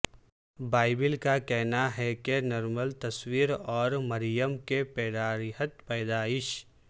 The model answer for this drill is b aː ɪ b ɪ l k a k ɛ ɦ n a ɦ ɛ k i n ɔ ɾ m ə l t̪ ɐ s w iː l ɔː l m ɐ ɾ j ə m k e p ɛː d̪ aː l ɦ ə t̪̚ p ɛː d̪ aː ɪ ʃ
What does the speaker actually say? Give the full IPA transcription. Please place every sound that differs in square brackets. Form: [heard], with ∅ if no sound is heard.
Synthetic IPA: b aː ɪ b ɪ l k a k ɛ ɦ n a ɦ ɛ k [e] n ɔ ɾ m ə l t̪ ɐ s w iː [ɾ] ɔː [ɾ] m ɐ ɾ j ə m k e p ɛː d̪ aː [ɾ] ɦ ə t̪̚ p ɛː d̪ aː ɪ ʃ